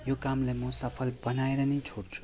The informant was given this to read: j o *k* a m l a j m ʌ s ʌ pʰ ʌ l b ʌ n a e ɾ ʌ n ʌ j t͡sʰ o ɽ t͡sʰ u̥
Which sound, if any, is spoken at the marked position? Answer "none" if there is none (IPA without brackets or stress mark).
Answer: k